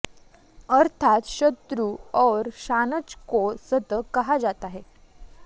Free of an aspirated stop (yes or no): no